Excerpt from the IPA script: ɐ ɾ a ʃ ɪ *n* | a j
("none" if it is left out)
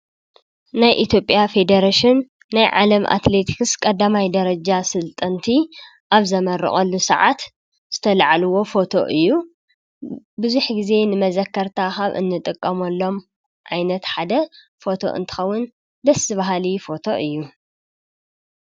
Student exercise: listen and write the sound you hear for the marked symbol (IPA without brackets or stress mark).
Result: nː